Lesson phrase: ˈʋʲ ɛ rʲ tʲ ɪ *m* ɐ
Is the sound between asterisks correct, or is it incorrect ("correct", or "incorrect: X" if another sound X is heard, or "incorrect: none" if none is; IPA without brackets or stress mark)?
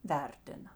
incorrect: n